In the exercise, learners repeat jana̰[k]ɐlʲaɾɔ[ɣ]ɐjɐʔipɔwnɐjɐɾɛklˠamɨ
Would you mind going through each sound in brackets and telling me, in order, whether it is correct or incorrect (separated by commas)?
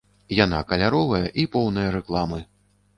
correct, incorrect